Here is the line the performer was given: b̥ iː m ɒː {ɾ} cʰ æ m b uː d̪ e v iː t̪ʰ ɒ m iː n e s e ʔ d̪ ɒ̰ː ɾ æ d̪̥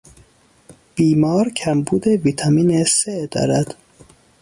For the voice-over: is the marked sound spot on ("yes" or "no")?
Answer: yes